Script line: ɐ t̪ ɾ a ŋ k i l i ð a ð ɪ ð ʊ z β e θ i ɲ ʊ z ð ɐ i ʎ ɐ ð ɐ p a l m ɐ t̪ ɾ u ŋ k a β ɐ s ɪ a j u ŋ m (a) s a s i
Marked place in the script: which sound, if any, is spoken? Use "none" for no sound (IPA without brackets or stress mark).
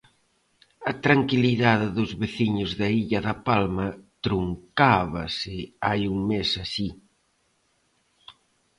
e